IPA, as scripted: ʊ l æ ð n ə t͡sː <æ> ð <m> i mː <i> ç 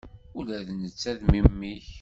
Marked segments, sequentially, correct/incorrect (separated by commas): correct, correct, correct